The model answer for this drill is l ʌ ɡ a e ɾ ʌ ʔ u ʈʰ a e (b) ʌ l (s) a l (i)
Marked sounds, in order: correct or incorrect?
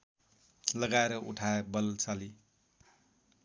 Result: correct, incorrect: t͡s, correct

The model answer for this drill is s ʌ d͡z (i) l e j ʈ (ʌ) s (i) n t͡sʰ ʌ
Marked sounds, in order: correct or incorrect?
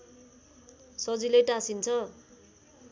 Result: correct, incorrect: a, correct

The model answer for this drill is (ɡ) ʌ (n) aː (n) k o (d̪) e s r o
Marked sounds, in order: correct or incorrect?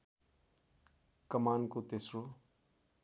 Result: incorrect: k, incorrect: m, correct, incorrect: t̪

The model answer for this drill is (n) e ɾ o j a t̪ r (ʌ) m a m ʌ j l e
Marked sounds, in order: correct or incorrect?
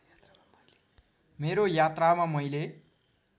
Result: incorrect: m, incorrect: a

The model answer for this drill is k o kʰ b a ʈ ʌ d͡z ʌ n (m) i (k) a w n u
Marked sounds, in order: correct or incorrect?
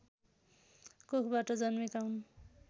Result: correct, correct

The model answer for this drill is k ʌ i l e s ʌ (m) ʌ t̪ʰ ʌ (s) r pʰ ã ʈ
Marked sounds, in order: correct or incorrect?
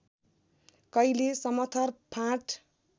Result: correct, incorrect: none

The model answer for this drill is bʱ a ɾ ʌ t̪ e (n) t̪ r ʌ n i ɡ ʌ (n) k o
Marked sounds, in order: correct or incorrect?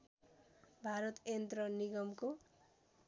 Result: correct, incorrect: m

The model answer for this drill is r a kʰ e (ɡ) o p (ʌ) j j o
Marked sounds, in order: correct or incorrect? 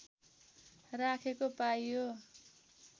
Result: incorrect: k, incorrect: a

